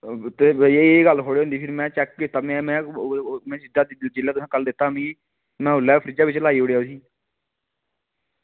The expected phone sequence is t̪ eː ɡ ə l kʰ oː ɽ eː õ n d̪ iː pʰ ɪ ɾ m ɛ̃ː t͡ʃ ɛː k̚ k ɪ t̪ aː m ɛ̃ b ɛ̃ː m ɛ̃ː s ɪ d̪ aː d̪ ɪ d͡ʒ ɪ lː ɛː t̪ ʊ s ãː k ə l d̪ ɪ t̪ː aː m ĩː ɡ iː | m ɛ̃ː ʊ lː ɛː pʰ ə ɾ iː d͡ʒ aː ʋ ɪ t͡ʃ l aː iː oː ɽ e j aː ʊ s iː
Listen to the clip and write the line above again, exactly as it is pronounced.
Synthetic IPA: t̪ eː ɡ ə l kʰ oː ɽ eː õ n d̪ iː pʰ ɪ ɾ m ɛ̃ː t͡ʃ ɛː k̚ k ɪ t̪ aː m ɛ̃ m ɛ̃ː m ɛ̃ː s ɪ d̪ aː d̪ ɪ d͡ʒ ɪ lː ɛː t̪ ʊ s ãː k ə l d̪ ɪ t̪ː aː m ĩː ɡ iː | m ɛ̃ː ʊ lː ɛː pʰ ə ɾ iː d͡ʒ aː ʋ ɪ t͡ʃ l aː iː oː ɽ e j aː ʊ s iː